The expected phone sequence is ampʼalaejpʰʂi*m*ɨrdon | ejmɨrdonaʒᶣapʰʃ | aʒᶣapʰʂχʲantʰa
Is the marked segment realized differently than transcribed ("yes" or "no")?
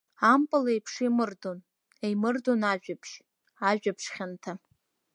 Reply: no